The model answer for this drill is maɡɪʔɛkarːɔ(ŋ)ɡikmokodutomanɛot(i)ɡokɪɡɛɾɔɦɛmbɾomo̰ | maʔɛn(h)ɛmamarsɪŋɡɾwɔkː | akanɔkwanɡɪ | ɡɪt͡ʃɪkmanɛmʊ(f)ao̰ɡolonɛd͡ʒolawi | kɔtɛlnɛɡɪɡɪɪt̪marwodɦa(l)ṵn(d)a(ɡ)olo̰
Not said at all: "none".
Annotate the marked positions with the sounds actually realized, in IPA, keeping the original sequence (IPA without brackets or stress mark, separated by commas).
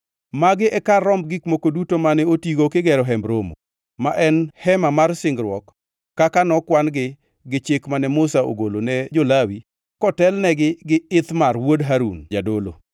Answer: m, i, h, s, ɾ, d͡ʒ, d